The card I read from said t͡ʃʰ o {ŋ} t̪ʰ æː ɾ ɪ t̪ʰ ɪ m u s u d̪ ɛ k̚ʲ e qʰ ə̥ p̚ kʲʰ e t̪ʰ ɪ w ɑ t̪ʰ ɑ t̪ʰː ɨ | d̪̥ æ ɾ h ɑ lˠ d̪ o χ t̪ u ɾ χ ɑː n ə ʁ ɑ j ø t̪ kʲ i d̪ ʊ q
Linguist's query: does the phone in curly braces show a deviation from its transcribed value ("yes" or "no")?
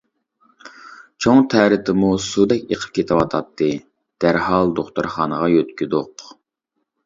no